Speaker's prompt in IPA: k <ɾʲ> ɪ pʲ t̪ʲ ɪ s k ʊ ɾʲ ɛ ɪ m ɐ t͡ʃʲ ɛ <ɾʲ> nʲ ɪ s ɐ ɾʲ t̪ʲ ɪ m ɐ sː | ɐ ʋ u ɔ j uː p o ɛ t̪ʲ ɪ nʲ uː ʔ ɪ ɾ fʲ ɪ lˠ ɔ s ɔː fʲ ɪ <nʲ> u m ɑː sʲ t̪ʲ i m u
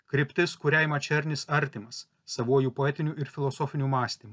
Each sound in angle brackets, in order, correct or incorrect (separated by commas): correct, correct, correct